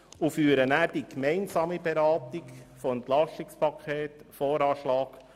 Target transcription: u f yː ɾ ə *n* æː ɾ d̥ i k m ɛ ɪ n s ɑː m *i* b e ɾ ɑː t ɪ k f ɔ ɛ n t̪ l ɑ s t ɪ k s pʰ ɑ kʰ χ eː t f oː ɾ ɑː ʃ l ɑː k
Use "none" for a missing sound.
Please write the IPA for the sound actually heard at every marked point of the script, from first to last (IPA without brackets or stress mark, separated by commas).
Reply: n, i